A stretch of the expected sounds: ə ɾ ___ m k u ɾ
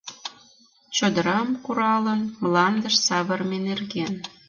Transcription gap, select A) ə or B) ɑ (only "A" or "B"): B